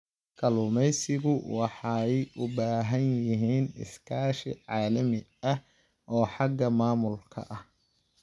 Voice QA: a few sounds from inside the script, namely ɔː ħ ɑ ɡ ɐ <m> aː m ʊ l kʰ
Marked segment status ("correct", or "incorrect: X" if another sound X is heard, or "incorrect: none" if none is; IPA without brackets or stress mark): correct